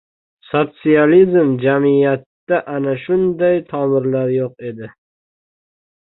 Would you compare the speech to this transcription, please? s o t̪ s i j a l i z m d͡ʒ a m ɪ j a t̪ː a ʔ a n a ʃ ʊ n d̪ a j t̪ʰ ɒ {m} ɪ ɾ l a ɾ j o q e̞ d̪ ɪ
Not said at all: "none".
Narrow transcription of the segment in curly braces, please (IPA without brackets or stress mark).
m